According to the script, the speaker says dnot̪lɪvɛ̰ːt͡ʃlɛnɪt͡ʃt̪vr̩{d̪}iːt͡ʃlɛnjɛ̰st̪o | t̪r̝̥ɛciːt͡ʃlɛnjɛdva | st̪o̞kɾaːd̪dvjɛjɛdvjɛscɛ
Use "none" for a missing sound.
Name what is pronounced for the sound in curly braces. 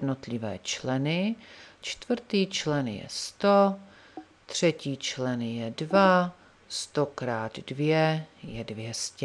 t̪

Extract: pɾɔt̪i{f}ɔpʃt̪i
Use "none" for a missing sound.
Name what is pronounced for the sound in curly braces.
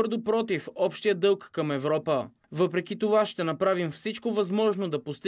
f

